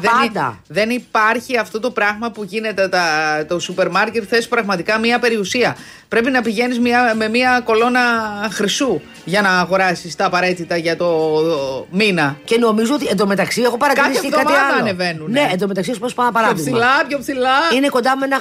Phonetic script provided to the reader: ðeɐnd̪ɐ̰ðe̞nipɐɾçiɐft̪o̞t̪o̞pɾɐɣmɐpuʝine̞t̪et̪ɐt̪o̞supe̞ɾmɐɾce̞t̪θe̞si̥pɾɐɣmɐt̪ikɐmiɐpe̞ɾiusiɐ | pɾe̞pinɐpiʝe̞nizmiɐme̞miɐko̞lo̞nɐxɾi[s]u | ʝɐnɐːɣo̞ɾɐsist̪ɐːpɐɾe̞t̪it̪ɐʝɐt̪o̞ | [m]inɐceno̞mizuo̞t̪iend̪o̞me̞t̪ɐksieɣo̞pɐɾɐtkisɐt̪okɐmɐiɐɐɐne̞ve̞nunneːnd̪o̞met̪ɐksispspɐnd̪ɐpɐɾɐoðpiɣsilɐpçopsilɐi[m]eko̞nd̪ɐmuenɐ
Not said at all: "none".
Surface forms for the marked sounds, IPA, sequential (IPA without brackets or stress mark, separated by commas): s, m, n